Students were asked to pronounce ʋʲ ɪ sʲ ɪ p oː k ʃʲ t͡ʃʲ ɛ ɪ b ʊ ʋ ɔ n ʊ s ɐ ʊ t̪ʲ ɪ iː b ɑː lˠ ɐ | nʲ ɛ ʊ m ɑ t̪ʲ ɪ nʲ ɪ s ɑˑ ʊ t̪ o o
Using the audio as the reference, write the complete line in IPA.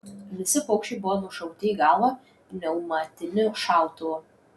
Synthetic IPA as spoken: ʋʲ ɪ sʲ ɪ p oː k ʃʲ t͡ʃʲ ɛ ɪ b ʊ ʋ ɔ n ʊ ʃ ɐ ʊ t̪ʲ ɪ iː ɡ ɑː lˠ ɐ | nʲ ɛ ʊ m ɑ t̪ʲ ɪ nʲ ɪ ʃ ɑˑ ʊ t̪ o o

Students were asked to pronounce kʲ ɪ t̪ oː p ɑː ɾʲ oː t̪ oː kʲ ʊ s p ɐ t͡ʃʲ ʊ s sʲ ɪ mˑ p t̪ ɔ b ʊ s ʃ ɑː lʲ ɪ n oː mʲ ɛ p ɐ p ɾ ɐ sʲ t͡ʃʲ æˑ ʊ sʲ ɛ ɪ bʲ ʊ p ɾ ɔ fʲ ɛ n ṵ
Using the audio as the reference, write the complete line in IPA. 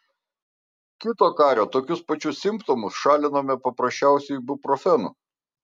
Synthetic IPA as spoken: kʲ ɪ t̪ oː k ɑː ɾʲ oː t̪ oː kʲ ʊ s p ɐ t͡ʃʲ ʊ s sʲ ɪ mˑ p t̪ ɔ m ʊ s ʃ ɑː lʲ ɪ n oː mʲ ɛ p ɐ p ɾ ɐ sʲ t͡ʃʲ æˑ ʊ sʲ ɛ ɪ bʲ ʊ p ɾ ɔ fʲ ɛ n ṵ

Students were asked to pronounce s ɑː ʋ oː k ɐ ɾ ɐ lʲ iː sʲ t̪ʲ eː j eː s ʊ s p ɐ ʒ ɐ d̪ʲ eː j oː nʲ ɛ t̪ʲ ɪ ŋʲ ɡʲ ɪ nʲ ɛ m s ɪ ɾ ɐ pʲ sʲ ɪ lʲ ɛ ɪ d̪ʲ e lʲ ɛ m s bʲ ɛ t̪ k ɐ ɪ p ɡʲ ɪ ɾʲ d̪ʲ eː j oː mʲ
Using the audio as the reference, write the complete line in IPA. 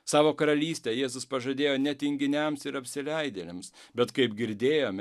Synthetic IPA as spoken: s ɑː ʋ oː k ɐ ɾ ɐ lʲ iː sʲ t̪ʲ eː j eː z ʊ s p ɐ ʒ ɐ d̪ʲ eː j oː nʲ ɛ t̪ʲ ɪ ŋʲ ɡʲ ɪ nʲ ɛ m s ɪ ɾ ɐ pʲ sʲ ɪ lʲ ɛ ɪ d̪ʲ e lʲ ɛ m s bʲ ɛ t̪ k ɐ ɪ p ɡʲ ɪ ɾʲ d̪ʲ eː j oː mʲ

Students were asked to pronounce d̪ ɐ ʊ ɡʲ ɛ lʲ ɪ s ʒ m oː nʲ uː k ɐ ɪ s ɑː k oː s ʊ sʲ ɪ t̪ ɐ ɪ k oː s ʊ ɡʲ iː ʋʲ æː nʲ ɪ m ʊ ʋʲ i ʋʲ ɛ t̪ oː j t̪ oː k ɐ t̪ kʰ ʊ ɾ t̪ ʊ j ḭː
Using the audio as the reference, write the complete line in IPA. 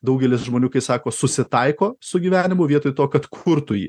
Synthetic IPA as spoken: d̪ ɐ ʊ ɡʲ ɛ lʲ ɪ s ʒ m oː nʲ uː k ɐ ɪ s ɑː k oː s ʊ sʲ ɪ t̪ ɐ ɪ k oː s ʊ ɡʲ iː ʋʲ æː nʲ ɪ m ʊ ʋʲ i ɛ t̪ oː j t̪ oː k ɐ t̪ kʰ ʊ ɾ t̪ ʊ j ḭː

